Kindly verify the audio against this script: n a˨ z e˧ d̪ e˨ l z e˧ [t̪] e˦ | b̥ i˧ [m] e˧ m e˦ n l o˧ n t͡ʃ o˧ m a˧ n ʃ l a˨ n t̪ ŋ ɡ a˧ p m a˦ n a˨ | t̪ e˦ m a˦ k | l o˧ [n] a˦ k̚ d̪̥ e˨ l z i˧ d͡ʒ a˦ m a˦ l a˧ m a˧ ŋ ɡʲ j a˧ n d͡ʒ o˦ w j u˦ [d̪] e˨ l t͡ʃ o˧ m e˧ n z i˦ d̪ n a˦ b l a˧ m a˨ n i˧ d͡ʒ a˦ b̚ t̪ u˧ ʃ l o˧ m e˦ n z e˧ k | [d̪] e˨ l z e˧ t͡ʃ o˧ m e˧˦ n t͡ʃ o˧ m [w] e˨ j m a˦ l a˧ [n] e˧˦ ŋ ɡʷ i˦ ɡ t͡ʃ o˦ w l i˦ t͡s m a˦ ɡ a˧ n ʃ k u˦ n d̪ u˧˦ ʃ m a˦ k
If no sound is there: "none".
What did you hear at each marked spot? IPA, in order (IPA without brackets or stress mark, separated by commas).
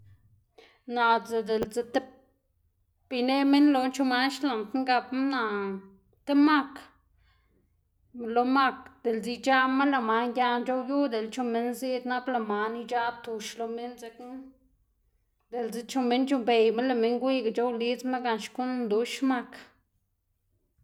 t̪, n, m, d̪, d̪, b, m